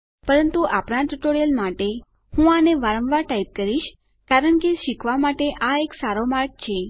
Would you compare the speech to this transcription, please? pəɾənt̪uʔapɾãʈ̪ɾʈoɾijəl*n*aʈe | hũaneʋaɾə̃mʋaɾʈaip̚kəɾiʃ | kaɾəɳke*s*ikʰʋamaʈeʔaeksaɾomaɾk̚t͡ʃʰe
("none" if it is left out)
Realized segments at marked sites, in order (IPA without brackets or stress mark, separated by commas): m, ʃ